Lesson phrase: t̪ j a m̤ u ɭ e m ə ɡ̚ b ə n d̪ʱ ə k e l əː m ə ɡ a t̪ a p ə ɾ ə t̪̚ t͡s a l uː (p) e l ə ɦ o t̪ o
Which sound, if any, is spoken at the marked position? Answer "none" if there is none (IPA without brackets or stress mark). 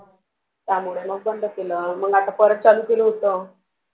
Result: k